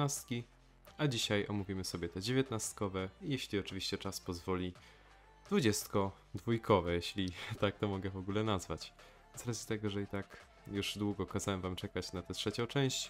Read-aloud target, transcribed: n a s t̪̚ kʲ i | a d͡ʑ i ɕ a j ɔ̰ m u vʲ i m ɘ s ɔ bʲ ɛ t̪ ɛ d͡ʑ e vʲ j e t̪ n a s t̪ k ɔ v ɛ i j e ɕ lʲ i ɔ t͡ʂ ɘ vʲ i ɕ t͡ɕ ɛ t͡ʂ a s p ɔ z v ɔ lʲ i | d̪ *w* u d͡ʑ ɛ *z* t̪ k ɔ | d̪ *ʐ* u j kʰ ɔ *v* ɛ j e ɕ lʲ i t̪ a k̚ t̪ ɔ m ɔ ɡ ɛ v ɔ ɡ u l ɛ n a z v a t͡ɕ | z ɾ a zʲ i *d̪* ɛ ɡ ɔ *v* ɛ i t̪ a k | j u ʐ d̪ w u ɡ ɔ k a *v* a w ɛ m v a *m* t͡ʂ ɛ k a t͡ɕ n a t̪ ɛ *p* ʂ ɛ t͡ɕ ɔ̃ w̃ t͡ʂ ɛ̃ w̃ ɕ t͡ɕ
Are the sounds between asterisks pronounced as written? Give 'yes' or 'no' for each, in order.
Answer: no, no, no, yes, no, no, no, yes, no

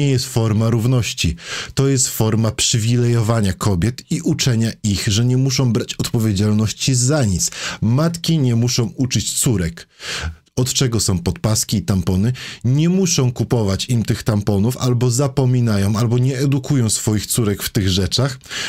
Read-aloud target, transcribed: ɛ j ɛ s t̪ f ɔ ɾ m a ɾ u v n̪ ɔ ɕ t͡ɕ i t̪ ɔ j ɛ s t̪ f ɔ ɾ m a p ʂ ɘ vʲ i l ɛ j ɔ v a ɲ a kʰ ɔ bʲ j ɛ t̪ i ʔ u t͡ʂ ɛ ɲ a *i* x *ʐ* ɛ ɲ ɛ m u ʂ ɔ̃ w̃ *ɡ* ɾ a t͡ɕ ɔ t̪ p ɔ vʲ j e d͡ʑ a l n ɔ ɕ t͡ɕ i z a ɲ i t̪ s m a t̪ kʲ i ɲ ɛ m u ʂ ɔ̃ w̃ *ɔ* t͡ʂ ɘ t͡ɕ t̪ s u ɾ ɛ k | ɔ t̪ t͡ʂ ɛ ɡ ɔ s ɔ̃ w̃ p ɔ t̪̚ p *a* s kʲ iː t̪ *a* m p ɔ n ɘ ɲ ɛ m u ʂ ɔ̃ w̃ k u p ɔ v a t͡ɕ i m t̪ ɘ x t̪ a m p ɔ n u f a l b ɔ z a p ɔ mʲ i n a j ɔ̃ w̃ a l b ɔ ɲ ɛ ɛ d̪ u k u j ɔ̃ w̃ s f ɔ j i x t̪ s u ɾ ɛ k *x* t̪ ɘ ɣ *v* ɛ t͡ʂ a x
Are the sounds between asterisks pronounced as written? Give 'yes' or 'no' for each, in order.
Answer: yes, yes, no, no, yes, yes, no, no

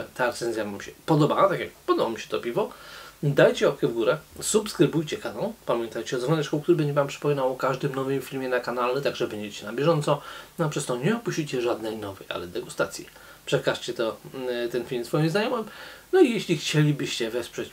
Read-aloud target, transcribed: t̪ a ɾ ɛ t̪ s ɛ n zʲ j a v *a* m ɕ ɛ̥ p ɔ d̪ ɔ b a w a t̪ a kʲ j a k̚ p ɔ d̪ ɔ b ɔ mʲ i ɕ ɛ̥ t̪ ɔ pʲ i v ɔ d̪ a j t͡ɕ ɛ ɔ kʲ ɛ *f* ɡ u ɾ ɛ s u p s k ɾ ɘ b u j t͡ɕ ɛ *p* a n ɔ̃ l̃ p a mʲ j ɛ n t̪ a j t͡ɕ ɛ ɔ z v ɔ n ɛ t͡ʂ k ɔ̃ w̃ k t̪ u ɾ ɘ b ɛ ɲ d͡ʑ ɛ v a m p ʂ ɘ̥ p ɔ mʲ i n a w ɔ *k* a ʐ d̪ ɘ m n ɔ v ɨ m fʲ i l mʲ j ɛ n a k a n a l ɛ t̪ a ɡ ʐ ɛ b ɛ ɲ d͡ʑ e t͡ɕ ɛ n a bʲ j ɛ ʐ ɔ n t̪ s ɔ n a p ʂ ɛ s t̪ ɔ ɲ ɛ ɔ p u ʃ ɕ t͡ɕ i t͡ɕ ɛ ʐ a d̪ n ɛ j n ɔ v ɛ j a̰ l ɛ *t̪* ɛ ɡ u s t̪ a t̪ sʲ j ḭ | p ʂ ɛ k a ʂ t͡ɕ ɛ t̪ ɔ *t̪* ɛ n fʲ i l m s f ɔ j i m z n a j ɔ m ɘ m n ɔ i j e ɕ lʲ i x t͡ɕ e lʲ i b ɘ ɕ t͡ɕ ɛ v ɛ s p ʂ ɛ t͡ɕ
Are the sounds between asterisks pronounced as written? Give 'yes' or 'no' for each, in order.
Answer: yes, no, no, yes, no, yes

